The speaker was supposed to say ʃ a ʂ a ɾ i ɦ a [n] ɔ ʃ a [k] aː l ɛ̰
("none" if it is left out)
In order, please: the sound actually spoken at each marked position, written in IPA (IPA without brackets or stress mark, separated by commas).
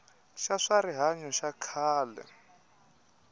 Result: ɲ, kʰ